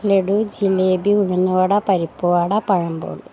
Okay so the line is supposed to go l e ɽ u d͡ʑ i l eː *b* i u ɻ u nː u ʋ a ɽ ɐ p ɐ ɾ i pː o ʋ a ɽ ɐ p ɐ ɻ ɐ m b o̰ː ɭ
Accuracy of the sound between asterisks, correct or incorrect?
correct